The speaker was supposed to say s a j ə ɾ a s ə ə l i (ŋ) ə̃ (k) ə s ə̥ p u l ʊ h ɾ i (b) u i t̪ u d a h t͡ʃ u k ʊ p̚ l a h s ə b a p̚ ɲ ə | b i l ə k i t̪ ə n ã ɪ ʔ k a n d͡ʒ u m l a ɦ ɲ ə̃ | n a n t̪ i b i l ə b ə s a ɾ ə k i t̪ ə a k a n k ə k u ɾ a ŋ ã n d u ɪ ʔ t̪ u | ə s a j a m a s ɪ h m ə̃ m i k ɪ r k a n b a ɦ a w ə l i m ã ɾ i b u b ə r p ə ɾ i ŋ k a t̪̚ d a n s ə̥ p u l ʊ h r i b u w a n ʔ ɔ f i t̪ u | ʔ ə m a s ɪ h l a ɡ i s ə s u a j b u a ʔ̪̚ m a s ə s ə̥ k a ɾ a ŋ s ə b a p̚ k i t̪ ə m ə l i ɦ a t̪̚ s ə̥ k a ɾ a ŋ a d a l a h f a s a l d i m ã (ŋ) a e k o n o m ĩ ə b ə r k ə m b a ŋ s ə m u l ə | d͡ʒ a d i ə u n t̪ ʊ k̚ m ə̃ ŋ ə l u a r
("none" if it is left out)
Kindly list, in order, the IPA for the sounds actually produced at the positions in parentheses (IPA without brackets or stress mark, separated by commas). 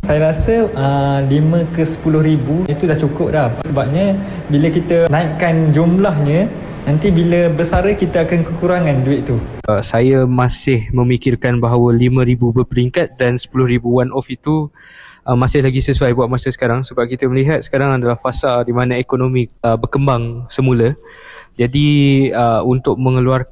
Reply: m, k, b, n